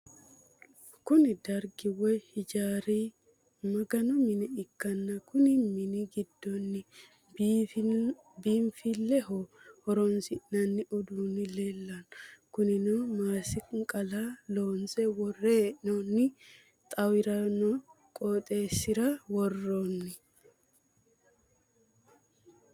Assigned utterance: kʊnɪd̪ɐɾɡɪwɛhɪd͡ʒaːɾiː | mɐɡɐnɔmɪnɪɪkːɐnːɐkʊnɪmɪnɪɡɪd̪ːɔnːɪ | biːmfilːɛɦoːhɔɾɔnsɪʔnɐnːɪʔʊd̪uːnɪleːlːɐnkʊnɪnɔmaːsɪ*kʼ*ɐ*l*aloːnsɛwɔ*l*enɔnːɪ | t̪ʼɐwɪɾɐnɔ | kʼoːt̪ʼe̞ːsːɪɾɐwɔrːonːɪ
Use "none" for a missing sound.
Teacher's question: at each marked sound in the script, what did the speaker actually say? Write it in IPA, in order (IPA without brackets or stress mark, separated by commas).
kʼ, l, r